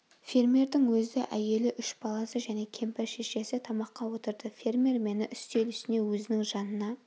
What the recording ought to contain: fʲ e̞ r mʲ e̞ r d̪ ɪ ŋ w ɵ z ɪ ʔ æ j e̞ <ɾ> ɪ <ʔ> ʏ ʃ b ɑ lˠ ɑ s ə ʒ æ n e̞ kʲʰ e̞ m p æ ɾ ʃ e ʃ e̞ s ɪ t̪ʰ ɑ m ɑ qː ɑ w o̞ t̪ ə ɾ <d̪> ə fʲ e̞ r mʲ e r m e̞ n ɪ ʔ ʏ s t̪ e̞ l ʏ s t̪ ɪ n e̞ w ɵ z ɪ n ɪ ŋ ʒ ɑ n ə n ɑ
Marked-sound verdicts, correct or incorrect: incorrect, correct, correct

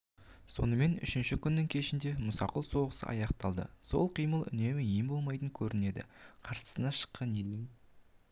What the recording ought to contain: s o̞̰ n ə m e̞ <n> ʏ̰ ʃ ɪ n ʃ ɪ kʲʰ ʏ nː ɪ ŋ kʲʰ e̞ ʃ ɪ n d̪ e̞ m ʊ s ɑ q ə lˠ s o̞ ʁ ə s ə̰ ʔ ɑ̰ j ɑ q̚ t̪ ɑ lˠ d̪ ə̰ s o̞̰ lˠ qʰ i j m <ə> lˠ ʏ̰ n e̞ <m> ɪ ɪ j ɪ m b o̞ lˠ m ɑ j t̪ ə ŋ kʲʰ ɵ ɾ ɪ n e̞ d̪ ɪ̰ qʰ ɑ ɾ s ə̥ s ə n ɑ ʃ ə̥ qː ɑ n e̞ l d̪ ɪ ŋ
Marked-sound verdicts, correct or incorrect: correct, correct, correct

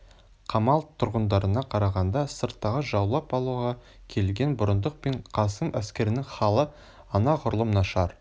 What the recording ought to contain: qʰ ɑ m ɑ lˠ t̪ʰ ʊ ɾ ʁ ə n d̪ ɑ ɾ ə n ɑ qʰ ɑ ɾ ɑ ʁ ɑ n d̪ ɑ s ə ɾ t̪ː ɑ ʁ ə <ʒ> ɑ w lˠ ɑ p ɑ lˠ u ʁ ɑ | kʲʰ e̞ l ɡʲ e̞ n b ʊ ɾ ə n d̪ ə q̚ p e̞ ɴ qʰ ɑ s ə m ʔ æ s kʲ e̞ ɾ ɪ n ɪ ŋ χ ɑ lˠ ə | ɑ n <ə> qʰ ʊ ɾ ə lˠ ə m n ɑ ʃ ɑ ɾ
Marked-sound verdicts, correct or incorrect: correct, incorrect

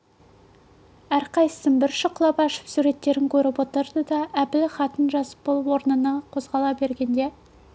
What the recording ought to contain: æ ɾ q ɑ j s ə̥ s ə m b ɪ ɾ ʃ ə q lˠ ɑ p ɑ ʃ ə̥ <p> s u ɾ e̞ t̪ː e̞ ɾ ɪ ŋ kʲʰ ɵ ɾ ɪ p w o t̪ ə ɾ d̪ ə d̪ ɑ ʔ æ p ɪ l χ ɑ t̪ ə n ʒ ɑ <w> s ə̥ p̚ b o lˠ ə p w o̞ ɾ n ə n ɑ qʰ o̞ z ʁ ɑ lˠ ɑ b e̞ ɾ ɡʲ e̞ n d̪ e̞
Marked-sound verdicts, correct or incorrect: correct, incorrect

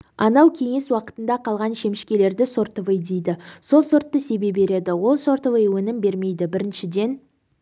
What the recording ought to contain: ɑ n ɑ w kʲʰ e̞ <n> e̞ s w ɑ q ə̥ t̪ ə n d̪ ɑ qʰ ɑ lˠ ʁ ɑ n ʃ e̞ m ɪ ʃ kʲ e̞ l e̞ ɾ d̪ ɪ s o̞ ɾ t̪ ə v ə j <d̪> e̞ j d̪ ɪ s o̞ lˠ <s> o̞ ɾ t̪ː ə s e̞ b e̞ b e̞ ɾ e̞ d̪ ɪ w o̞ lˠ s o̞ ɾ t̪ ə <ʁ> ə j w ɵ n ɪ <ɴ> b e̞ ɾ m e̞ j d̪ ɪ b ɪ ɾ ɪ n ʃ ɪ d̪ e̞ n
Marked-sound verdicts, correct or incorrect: incorrect, correct, correct, incorrect, incorrect

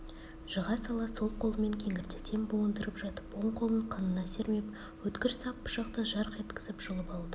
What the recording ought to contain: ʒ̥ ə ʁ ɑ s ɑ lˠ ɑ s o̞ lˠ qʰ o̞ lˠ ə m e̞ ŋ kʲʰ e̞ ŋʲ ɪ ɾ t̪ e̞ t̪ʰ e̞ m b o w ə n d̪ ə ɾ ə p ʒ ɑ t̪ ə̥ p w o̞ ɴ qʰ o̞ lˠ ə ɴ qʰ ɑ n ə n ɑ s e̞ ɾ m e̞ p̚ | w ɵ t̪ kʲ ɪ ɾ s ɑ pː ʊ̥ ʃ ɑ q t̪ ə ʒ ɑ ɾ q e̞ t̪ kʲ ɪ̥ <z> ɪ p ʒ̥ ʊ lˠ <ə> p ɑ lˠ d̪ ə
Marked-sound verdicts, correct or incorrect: correct, correct

